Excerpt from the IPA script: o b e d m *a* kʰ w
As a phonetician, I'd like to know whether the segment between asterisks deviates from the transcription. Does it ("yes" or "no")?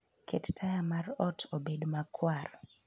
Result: no